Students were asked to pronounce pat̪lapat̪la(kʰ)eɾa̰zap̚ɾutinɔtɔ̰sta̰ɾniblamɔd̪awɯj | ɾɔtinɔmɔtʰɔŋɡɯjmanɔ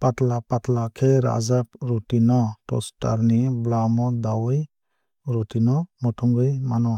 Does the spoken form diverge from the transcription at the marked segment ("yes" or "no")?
no